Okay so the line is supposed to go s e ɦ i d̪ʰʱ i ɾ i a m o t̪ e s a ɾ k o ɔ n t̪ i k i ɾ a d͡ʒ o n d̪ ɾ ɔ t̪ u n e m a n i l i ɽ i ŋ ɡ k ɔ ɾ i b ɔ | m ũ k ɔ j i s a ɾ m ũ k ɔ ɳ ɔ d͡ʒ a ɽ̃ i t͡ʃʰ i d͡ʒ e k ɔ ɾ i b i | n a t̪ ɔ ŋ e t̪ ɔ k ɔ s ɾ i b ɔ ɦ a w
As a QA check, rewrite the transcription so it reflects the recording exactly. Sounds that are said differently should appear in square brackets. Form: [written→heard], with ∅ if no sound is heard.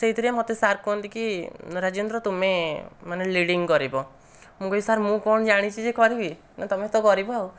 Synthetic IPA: s e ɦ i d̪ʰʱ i ɾ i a m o t̪ e s a ɾ k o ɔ n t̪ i k i ɾ a d͡ʒ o n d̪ ɾ ɔ t̪ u [n→m] e m a n [i→e] l i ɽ i ŋ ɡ k ɔ ɾ i b ɔ | m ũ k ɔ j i s a ɾ m ũ k ɔ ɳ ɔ d͡ʒ a ɽ̃ i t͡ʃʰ i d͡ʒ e k ɔ ɾ i b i | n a t̪ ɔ [ŋ→m] e t̪ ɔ k ɔ [s→∅] ɾ i b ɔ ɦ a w